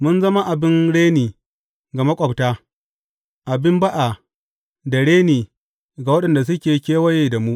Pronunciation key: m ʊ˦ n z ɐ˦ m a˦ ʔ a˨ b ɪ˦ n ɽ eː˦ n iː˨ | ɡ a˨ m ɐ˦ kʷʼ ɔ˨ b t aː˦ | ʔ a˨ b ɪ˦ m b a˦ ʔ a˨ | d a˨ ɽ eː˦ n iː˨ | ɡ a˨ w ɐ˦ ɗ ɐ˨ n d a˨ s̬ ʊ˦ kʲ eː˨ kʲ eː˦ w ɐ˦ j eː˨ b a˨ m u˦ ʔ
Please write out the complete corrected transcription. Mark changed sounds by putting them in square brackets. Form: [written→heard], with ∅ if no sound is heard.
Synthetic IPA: m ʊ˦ n z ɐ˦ m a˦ ʔ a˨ b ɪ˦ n ɽ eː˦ n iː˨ | ɡ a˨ m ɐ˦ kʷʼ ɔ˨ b t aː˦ | ʔ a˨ b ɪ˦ m b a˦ ʔ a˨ | d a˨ ɽ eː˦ n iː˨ | ɡ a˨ w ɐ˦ ɗ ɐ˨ n d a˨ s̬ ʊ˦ kʲ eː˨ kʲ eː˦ w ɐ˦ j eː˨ [b→d] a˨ m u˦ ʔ